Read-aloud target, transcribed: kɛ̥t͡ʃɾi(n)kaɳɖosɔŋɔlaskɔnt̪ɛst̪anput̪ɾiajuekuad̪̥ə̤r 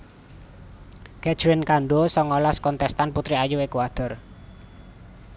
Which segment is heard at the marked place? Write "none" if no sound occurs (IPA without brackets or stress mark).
n